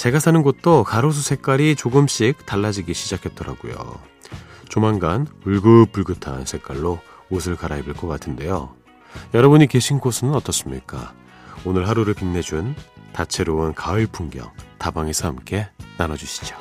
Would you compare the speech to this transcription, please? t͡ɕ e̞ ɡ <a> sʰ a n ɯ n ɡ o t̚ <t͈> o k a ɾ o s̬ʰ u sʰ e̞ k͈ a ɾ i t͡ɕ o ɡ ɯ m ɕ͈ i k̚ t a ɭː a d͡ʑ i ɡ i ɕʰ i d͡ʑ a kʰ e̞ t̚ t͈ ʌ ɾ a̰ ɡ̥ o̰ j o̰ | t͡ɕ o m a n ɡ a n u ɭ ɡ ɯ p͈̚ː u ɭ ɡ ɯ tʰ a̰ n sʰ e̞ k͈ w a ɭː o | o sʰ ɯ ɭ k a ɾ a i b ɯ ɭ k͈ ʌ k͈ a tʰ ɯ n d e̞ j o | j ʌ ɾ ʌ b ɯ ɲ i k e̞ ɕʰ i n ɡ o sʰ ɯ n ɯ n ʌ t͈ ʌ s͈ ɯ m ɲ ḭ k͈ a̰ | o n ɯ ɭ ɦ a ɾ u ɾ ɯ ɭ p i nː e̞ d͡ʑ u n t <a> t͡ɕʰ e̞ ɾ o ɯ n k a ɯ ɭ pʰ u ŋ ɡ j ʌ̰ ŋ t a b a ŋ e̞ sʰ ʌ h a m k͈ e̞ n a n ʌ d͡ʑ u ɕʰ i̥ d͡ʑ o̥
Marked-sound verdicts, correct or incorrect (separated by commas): correct, correct, correct